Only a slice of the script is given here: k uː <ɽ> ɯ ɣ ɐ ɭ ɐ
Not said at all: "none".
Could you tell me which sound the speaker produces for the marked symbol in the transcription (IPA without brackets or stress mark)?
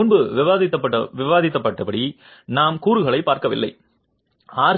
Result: ɾ